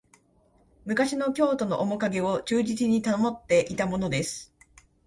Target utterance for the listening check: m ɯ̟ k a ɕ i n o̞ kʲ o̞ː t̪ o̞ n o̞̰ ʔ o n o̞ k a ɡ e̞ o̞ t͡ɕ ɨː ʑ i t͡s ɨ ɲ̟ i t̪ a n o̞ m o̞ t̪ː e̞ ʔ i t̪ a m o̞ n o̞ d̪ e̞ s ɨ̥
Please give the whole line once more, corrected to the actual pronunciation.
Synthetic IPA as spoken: m ɯ̟ k a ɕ i n o̞ kʲ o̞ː t̪ o̞ n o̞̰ ʔ o m o̞ k a ɡ e̞ o̞ t͡ɕ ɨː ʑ i t͡s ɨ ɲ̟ i t̪ a n o̞ m o̞ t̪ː e̞ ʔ i t̪ a m o̞ n o̞ d̪ e̞ s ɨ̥